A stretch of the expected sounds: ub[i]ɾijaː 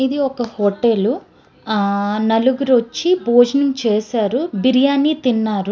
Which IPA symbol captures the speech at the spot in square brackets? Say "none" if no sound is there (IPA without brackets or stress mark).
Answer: i